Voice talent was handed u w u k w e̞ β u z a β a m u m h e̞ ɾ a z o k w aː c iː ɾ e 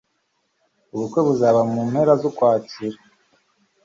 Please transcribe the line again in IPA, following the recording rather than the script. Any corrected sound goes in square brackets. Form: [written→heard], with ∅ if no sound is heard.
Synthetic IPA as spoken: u [w→β] u k w e̞ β u z a β a m u m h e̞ ɾ a z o k w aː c [iː→i] ɾ [e→a]